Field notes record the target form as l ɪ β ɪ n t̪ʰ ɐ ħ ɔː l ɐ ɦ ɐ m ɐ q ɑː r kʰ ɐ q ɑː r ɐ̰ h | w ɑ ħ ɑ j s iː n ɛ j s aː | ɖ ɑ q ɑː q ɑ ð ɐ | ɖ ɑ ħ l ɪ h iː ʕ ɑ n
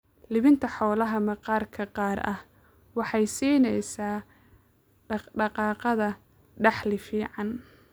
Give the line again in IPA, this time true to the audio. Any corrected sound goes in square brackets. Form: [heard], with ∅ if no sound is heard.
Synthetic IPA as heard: l ɪ β ɪ n t̪ʰ ɐ ħ ɔː l ɐ ɦ ɐ m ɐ q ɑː r kʰ ɐ q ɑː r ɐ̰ h | w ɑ ħ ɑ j s iː n ɛ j s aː | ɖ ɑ q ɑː q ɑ ð ɐ | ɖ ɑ ħ l ɪ [f] iː ʕ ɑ n